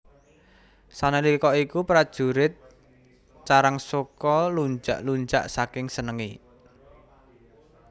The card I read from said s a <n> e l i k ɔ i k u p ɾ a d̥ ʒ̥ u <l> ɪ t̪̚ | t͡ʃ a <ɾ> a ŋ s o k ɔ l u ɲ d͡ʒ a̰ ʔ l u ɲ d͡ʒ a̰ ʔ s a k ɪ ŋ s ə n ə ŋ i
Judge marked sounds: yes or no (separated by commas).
yes, no, yes